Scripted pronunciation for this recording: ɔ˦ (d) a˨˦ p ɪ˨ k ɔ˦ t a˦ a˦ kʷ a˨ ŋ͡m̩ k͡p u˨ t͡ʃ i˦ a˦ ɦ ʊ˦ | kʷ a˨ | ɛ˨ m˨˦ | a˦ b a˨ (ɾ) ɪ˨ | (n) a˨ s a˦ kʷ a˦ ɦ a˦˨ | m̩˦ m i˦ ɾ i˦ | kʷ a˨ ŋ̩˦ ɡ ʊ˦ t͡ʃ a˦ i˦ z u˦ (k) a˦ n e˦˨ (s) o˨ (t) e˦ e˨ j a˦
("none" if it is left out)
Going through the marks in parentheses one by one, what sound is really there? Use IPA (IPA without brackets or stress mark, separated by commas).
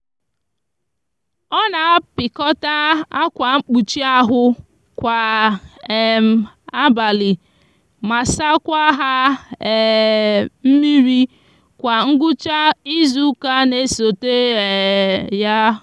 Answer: n, l, m, k, s, t